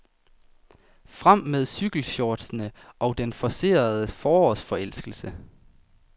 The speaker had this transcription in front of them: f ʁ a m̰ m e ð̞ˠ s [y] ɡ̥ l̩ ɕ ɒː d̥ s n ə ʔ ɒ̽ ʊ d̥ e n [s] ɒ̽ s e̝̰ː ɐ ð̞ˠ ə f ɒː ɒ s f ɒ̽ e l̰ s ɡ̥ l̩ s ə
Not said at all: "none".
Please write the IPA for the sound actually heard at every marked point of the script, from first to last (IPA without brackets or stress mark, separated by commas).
y, f